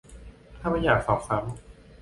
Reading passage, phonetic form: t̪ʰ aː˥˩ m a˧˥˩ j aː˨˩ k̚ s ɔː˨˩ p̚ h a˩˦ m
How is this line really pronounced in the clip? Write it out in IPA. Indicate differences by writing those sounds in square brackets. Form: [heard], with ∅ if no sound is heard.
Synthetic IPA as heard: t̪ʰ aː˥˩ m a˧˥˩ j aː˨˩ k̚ s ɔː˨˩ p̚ [s] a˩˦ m